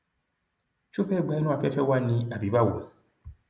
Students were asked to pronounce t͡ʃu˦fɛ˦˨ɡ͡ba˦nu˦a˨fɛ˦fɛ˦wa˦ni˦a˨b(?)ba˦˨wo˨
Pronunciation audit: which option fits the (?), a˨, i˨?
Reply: i˨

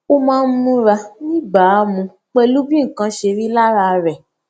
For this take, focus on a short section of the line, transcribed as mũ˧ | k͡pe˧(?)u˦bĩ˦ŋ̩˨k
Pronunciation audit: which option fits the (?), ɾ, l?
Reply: l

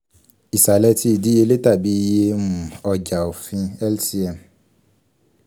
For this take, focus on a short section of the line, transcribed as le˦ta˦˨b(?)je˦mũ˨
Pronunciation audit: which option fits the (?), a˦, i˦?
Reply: i˦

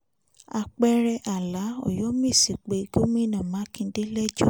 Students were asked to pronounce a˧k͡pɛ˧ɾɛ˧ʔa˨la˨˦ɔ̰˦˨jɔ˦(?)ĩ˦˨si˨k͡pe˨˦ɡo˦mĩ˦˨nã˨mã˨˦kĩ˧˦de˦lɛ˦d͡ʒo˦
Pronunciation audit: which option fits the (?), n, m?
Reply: m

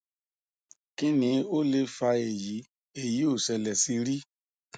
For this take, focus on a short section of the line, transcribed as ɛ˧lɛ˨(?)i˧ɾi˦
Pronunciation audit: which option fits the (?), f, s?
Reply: s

